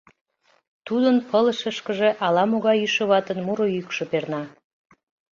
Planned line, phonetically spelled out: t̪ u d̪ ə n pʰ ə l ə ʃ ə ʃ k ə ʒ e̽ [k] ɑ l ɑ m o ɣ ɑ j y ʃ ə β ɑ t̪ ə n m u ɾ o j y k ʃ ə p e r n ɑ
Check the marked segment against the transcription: incorrect: ʔ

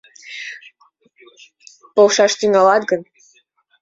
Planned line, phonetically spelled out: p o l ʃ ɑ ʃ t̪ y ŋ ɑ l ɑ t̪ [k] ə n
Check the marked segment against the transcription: incorrect: ɡ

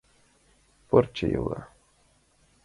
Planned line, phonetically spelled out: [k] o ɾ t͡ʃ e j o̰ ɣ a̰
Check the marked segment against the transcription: incorrect: p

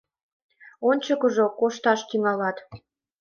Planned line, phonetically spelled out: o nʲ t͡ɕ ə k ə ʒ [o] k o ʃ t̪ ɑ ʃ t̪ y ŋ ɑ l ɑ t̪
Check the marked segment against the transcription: correct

